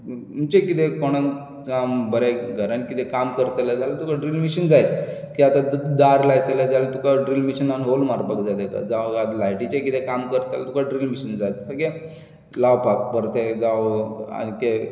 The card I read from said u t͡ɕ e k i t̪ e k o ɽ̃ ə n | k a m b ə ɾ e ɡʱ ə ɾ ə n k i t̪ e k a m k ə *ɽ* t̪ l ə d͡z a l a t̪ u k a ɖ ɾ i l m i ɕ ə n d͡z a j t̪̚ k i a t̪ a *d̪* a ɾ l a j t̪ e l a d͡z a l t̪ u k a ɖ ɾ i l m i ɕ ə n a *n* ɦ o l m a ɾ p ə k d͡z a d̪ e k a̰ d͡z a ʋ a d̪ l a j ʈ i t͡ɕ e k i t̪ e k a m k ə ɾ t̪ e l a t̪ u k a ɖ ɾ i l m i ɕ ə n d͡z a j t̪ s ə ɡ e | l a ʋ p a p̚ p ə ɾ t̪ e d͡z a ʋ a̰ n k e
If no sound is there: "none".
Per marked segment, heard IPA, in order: ɾ, d̪, n

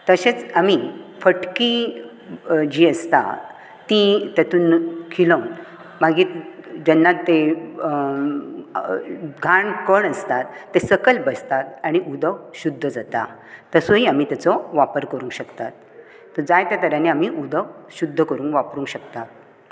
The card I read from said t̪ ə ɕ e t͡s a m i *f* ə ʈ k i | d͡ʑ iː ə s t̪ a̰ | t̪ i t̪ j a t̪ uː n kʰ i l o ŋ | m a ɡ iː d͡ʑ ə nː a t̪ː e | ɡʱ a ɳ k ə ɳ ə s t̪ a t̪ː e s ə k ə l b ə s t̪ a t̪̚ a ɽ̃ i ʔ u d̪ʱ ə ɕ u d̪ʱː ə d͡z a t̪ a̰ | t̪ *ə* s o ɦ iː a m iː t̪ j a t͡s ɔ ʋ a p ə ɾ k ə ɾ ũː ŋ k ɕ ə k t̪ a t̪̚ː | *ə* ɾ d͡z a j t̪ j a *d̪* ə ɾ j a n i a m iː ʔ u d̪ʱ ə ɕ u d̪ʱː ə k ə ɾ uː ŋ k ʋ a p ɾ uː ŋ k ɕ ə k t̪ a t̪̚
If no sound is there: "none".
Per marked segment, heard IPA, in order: f, ə, ə, t̪

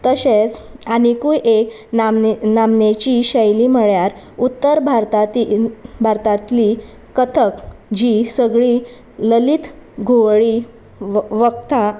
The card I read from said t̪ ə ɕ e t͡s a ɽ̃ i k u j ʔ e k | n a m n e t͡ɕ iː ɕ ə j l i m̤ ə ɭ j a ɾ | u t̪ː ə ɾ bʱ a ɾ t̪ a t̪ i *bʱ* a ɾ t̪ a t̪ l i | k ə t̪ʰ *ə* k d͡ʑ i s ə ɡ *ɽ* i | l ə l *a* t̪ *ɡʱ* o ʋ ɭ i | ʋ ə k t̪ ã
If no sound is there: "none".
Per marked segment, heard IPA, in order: bʱ, ə, ɭ, i, ɡʱ

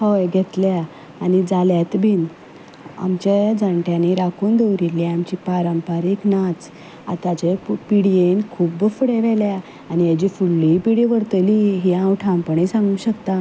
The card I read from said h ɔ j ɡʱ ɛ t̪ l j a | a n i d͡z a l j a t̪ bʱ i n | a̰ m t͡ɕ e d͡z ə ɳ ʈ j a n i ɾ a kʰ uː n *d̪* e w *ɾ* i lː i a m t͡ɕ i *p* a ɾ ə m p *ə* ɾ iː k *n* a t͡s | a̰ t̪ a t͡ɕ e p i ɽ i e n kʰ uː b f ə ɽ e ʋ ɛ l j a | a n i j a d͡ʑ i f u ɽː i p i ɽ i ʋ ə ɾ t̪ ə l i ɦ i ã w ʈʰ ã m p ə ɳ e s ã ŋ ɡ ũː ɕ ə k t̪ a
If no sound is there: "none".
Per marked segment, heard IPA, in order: d̪, ɾ, p, a, n

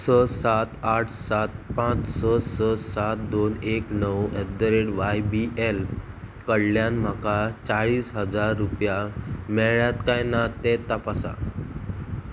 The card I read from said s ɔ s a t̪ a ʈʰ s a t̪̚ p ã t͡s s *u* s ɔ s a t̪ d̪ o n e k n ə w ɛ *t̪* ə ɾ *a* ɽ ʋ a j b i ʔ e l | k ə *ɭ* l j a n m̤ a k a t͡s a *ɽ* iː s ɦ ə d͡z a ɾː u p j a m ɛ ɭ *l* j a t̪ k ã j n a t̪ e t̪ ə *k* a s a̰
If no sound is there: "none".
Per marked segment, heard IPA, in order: ɔ, d̪, e, ɽ, ɭ, ɭ, p

